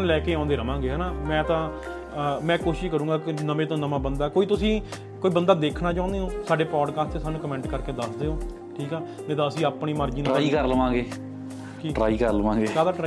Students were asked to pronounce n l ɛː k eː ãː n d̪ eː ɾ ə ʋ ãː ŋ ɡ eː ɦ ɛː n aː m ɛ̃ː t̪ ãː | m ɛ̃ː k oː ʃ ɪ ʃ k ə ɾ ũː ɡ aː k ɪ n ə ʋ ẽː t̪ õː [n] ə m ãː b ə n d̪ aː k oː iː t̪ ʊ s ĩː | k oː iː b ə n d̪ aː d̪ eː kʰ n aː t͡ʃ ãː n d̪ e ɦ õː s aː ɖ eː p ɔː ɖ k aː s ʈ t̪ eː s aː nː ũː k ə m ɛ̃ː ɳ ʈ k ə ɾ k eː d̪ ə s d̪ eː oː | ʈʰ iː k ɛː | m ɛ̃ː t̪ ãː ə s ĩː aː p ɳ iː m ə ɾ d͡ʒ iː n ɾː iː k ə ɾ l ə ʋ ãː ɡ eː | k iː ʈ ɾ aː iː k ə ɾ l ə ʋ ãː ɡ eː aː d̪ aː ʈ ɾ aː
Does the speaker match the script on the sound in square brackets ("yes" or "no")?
yes